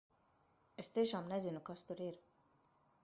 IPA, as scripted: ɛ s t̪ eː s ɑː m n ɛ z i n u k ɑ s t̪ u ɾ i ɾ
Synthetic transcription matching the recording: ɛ s t̪ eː ʃ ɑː m n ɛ z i n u k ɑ s t̪ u ɾ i ɾ

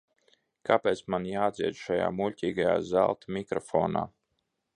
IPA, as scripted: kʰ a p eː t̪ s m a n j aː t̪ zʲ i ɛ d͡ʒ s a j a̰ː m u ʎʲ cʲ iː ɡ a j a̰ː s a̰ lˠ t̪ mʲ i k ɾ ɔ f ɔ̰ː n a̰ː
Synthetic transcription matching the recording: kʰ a p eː t̪ s m a n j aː d̪ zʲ i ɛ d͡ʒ ʃ a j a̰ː m u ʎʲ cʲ iː ɡ a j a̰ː z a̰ lˠ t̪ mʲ i k ɾ ɔ f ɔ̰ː n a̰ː

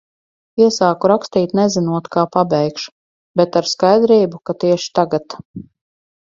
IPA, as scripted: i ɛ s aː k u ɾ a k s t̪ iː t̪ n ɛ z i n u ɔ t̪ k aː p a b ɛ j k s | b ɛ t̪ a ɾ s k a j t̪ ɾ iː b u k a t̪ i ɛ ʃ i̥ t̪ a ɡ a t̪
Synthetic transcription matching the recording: i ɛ s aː k u ɾ a k s t̪ iː t̪ n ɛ z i n u ɔ t̪ k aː p a b ɛ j k ʃ | b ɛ t̪ a ɾ s k a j d̪ ɾ iː b u k a t̪ i ɛ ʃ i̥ t̪ a ɡ a t̪

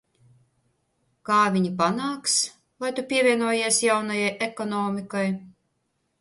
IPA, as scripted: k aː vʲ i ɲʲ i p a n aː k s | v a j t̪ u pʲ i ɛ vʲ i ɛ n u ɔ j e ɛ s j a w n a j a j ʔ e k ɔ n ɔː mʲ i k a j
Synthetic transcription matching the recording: k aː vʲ i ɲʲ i p a n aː k s | v a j t̪ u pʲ i ɛ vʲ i ɛ n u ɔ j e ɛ s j a w n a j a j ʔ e k ɔ n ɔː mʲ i k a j

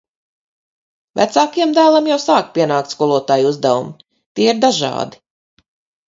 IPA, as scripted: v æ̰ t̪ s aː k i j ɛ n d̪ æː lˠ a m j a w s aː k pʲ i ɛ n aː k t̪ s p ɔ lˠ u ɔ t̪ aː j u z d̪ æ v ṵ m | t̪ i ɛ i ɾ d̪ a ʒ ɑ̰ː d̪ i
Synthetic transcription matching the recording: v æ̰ t̪ s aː k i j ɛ m d̪ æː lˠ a m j a w s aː k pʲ i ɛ n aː k t̪ s k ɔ lˠ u ɔ t̪ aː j u z d̪ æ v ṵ m | t̪ i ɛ i ɾ d̪ a ʒ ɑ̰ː d̪ i

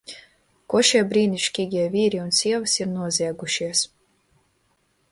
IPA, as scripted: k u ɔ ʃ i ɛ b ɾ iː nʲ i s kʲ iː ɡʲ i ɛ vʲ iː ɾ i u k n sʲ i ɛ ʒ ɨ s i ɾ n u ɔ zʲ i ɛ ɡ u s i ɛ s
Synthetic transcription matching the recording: k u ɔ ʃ i ɛ b ɾ iː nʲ i ʃ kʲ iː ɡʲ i ɛ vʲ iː ɾ i u n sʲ i ɛ v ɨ s i ɾ n u ɔ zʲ i ɛ ɡ u ʃ i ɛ s

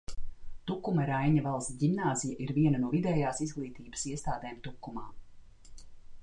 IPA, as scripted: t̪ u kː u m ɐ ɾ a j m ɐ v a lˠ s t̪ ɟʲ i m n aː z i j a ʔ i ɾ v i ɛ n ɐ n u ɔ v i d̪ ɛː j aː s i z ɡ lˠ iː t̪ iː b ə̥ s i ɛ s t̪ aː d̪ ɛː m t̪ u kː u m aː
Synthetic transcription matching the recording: t̪ u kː u m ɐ ɾ a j ɲ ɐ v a lˠ s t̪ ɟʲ i m n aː z i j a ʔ i ɾ v i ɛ n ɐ n u ɔ v i d̪ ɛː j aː s i z ɡ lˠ iː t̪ iː b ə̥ s i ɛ s t̪ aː d̪ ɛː m t̪ u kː u m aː

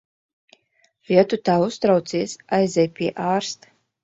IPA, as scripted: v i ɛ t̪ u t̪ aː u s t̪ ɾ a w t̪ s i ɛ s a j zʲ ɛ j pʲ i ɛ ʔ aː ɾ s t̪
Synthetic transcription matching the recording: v i ɛ t̪ u t̪ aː u s t̪ ɾ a w t̪ s i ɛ s a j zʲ ɛ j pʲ i ɛ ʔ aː ɾ s t̪

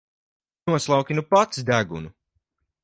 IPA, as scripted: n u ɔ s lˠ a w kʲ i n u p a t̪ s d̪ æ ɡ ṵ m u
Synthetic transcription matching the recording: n u ɔ s lˠ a w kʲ i n u p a t̪ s d̪ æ ɡ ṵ n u

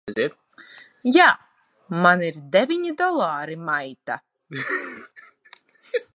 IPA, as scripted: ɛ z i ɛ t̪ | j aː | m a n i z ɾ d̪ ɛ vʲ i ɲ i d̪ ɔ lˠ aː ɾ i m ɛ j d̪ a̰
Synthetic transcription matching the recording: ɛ z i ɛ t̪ | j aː | m a n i ɾ d̪ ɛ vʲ i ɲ i d̪ ɔ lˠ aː ɾ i m a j t̪ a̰

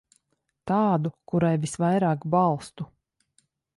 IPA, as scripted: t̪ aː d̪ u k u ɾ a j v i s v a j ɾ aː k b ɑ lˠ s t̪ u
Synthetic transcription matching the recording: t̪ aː d̪ u k u ɾ a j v i s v a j ɾ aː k b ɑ lˠ s t̪ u

